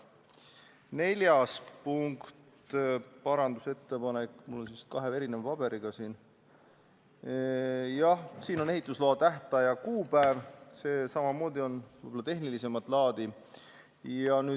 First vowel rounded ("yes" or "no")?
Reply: no